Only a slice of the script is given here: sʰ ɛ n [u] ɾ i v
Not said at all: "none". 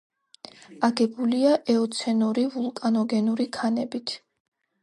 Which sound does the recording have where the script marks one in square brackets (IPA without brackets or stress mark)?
u